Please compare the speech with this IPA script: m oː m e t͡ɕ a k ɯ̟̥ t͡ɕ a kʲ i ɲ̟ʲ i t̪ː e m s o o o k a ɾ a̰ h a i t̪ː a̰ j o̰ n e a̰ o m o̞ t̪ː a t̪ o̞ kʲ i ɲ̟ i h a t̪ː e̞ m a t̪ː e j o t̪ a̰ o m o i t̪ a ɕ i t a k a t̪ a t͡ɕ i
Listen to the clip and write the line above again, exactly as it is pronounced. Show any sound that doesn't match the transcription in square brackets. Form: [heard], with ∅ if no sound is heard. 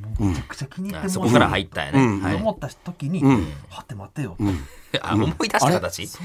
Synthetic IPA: m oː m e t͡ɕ a k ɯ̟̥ t͡ɕ a kʲ i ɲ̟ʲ i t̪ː e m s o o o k a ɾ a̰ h a i t̪ː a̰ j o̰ n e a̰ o m o̞ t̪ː a t̪ o̞ kʲ i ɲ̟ i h a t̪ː e̞ m a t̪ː e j o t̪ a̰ o m o i [d̪] a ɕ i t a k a t̪ a t͡ɕ i